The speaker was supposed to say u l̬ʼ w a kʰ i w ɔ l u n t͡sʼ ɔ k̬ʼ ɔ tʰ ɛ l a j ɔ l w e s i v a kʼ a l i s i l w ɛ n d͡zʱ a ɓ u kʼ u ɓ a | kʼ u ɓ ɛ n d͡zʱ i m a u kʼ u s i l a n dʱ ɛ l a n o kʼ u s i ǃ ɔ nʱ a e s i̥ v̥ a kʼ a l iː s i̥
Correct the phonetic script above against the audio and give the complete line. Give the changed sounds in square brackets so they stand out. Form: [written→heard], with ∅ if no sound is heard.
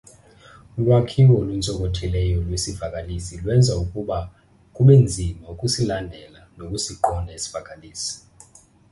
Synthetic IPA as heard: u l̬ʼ w a kʰ i w ɔ l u n t͡sʼ ɔ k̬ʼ ɔ tʰ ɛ l [a→ɛ] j ɔ l w e s i v a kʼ a l i s i l w ɛ n d͡zʱ a [ɓ→∅] u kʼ u ɓ a | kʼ u ɓ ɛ n d͡zʱ i m a u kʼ u s i l a n dʱ ɛ l a n o kʼ u s i ǃ ɔ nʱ a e s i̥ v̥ a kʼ a l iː s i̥